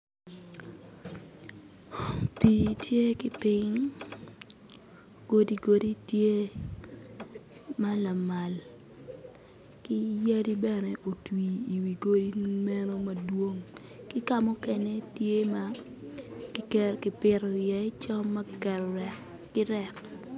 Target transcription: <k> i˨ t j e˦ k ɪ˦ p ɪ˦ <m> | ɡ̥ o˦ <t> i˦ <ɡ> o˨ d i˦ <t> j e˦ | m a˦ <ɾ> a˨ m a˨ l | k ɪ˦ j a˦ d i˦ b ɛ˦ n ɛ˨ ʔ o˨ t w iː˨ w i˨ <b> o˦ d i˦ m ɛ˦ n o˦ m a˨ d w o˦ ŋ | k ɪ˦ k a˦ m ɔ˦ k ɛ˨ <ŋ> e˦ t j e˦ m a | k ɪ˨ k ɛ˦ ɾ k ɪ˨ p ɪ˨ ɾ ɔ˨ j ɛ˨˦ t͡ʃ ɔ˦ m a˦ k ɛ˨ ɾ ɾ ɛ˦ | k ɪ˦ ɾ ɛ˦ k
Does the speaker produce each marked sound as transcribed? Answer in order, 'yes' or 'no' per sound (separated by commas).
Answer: no, no, no, yes, yes, no, no, no